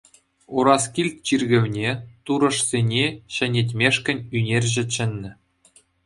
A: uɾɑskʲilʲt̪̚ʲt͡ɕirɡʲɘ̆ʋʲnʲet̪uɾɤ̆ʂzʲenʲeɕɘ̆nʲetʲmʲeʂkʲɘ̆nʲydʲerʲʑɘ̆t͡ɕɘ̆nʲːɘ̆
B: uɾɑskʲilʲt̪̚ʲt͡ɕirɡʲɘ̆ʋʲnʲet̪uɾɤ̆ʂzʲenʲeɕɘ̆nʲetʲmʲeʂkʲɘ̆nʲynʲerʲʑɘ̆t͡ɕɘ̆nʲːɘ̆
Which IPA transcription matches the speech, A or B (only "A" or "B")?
B